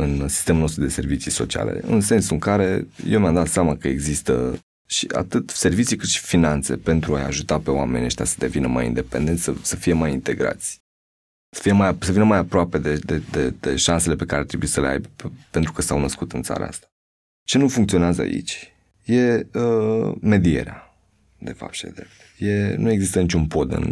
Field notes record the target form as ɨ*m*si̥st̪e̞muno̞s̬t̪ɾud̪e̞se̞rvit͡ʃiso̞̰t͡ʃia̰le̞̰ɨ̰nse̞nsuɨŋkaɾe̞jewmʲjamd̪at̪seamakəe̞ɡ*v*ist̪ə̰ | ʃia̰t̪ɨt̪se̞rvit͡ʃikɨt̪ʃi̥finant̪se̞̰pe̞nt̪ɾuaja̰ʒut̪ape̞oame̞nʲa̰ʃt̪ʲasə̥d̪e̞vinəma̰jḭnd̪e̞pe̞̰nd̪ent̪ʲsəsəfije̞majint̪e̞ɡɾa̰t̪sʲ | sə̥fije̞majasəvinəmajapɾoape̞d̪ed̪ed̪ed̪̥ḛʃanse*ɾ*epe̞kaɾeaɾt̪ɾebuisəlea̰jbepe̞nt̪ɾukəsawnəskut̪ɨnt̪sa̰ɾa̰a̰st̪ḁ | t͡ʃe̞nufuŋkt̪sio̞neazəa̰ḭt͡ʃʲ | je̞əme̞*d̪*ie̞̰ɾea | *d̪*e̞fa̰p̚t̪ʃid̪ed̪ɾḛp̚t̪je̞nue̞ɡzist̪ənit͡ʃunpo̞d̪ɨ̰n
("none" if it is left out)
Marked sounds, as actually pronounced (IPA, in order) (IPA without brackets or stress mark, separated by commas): n, z, l, d̪, d̪